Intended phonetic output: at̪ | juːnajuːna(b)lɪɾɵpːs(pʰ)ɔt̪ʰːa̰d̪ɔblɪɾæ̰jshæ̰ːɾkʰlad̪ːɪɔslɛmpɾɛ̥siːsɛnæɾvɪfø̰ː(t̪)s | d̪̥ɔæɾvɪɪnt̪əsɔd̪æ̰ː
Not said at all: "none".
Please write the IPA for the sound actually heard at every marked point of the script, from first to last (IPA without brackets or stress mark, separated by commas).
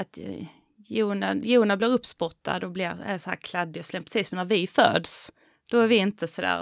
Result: b, p, d̪